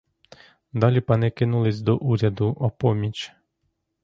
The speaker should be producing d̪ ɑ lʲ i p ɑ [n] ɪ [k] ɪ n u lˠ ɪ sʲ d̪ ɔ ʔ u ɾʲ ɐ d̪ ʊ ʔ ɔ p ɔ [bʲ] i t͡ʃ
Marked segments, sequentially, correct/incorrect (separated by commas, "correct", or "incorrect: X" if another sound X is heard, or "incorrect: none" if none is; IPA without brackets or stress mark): correct, correct, incorrect: mʲ